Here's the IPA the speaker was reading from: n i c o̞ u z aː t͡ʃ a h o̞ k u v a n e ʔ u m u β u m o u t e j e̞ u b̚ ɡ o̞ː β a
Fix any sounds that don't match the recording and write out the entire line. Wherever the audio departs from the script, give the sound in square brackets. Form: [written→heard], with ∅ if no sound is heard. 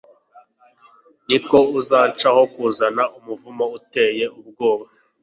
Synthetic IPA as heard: n i [c→k] o̞ u z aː t͡ʃ a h o̞ k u [v→z] a n [e→a] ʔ u m u [β→v] u m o u t e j e̞ u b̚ ɡ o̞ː β a